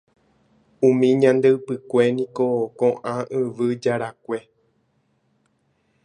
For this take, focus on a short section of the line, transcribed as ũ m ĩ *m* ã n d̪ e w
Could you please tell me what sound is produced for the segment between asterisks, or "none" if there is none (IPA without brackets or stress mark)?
ɲ